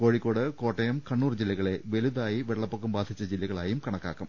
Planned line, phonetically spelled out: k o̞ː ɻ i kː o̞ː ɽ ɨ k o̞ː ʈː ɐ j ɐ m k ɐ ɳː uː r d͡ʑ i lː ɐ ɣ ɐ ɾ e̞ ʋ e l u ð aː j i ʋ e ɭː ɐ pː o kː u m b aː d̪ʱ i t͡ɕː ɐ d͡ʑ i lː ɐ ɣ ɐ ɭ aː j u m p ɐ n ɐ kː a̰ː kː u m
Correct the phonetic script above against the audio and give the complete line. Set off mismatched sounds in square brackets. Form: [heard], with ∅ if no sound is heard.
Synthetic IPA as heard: k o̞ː ɻ i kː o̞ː ɽ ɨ k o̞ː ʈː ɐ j ɐ m k ɐ ɳː uː r d͡ʑ i lː ɐ ɣ ɐ [ɭ] e̞ ʋ e l u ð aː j i ʋ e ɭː ɐ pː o kː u m b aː d̪ʱ i t͡ɕː ɐ d͡ʑ i lː ɐ ɣ ɐ ɭ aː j u m [k] ɐ [ɳ] ɐ kː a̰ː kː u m